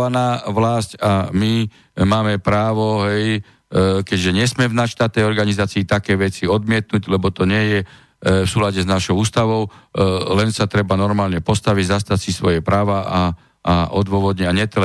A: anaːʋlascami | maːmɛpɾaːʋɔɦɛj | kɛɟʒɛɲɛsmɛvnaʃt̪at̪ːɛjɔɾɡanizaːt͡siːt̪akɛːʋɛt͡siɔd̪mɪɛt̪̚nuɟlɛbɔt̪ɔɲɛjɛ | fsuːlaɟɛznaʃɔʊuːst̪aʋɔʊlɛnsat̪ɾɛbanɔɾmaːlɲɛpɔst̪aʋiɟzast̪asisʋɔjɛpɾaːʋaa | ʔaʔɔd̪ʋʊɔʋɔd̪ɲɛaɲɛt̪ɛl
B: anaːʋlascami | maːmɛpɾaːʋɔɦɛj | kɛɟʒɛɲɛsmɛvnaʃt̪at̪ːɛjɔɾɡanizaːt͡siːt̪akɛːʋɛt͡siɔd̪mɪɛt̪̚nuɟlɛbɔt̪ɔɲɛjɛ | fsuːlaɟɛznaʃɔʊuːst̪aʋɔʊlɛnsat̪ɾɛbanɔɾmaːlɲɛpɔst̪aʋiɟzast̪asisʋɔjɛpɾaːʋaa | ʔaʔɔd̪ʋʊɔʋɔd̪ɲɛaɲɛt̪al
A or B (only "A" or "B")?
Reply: A